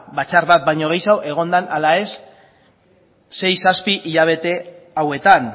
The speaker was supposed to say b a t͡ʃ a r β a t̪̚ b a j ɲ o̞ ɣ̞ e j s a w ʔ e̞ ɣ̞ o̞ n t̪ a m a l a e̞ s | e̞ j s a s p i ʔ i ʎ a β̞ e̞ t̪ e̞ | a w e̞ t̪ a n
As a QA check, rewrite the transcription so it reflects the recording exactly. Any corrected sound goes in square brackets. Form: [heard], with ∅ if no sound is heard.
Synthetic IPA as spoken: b a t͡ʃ a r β a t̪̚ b a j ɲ o̞ ɣ̞ e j s a w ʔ e̞ ɣ̞ o̞ n [d̪] a [n] a l a e̞ s | e̞ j s a s p i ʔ i ʎ a β̞ e̞ t̪ e̞ | a w e̞ t̪ a n